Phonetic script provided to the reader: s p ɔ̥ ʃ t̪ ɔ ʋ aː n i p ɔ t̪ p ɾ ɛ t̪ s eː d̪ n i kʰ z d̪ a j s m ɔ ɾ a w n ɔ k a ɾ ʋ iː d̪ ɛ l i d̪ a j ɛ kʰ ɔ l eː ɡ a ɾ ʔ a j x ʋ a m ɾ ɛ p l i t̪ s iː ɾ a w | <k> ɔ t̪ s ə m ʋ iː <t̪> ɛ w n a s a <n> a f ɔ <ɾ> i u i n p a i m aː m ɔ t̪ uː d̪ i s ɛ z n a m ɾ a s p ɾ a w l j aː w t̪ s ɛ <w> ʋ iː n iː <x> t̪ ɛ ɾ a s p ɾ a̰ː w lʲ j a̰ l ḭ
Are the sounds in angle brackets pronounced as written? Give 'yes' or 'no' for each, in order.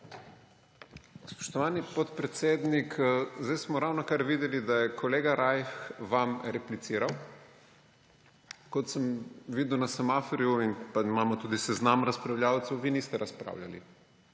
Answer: yes, no, no, yes, yes, no

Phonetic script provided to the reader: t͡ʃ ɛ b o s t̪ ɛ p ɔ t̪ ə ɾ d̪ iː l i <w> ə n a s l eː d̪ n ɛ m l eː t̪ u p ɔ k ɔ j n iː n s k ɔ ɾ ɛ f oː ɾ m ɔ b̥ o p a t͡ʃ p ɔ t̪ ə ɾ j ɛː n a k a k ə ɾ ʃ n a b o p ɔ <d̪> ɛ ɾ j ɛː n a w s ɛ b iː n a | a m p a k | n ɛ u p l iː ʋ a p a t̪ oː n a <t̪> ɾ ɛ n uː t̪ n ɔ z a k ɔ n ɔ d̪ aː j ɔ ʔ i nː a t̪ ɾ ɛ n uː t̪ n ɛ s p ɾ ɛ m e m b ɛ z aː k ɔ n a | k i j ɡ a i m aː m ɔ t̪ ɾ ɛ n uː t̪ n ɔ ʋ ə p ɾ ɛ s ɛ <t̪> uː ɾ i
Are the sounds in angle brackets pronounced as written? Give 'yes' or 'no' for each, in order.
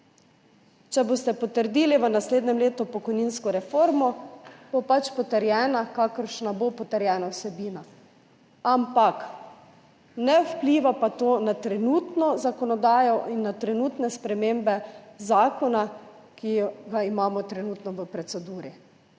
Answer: no, no, yes, no

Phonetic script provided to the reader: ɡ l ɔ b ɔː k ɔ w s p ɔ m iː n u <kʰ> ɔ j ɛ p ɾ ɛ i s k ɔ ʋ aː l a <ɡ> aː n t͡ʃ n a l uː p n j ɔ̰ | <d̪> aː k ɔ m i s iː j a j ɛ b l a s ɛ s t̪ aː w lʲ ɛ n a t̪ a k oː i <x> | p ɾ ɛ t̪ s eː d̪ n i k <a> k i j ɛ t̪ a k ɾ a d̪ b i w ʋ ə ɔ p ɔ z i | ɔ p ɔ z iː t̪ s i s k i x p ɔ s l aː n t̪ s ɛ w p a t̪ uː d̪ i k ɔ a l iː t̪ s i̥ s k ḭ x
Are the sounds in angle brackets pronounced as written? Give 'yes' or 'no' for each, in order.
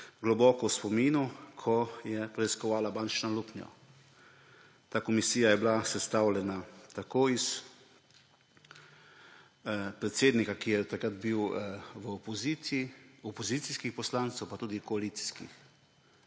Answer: yes, no, no, no, yes

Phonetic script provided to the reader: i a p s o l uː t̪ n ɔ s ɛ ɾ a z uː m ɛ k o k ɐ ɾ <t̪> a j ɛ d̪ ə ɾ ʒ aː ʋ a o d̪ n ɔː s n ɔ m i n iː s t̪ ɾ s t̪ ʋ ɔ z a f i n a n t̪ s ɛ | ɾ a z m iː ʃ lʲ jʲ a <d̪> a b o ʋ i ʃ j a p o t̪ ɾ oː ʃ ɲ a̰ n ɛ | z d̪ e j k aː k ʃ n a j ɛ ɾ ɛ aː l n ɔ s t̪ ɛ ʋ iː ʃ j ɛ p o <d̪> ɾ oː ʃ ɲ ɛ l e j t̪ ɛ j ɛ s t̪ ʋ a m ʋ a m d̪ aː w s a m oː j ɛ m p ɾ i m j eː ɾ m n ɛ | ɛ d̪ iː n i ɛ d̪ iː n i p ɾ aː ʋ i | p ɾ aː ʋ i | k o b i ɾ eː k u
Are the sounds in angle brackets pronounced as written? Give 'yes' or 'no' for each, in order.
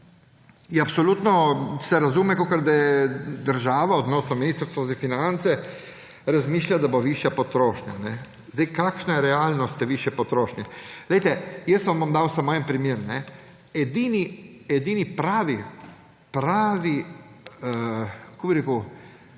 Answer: no, yes, no

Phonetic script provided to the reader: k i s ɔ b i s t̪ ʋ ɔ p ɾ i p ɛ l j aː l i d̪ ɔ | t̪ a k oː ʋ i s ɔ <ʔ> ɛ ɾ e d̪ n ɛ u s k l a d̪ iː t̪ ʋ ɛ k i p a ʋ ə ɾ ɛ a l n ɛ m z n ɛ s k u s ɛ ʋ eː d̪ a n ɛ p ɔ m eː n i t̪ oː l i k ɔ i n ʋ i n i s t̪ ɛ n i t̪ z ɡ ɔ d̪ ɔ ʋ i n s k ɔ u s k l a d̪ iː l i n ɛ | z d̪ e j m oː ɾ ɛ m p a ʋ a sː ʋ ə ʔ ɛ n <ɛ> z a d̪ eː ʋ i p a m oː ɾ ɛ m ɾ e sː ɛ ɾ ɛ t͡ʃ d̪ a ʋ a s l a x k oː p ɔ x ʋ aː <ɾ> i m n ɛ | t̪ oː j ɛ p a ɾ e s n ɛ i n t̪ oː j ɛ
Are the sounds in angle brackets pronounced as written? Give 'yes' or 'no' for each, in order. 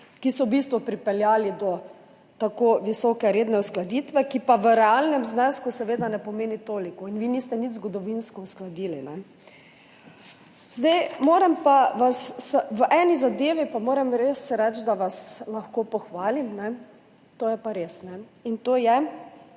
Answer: no, no, no

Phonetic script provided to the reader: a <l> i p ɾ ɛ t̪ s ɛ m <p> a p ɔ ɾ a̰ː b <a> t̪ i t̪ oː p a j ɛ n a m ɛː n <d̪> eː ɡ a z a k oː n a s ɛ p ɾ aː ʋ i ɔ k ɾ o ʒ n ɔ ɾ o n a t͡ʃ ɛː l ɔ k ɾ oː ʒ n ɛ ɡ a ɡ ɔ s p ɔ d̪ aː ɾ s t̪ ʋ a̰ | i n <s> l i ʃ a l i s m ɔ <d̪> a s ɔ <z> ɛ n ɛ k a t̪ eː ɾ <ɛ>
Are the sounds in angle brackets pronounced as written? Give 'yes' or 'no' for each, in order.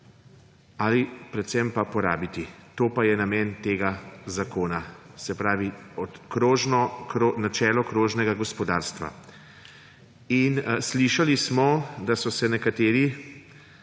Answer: yes, yes, no, no, yes, yes, no, no

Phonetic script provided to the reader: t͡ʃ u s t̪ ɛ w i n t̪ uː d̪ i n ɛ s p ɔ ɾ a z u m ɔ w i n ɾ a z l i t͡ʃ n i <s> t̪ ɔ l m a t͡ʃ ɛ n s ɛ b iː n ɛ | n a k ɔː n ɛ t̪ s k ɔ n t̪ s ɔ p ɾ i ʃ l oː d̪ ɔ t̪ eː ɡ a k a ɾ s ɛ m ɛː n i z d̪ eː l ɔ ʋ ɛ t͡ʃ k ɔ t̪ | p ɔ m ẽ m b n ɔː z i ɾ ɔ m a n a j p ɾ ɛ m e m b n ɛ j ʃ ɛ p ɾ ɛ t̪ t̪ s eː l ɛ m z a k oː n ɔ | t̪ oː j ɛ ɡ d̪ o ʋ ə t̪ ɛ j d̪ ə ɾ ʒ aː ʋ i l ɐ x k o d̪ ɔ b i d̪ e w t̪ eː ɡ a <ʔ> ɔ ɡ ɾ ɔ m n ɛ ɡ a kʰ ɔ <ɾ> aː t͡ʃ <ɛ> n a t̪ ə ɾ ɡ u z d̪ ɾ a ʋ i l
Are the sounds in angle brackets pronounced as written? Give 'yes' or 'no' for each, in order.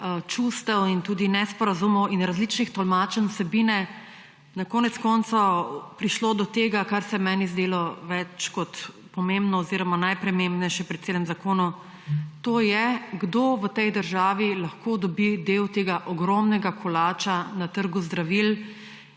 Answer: no, yes, no, no

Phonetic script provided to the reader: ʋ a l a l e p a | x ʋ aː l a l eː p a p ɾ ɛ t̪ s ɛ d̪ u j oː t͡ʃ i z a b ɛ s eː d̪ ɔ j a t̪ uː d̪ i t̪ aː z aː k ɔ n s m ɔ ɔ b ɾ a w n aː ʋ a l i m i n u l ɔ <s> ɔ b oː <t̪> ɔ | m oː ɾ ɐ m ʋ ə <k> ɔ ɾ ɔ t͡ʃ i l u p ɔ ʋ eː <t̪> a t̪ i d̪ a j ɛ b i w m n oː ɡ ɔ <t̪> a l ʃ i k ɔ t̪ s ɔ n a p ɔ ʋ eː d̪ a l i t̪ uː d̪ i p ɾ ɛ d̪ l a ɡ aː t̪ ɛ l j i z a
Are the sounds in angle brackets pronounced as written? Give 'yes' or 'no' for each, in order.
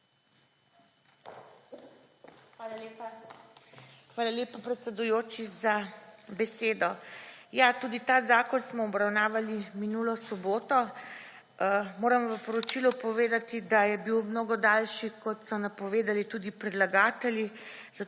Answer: yes, yes, no, no, no

